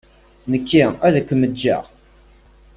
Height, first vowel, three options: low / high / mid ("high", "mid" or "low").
mid